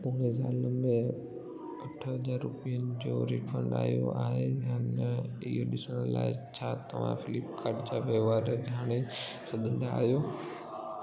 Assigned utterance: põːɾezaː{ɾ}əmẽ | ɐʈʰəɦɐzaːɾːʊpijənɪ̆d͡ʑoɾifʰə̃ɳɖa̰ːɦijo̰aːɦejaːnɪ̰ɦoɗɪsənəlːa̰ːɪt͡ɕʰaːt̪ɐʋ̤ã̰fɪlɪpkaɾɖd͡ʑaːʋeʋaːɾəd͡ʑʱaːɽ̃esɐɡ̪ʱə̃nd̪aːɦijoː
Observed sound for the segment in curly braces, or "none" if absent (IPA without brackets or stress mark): l